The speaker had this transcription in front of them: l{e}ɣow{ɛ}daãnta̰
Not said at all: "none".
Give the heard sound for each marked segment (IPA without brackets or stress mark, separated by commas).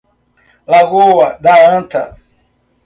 a, a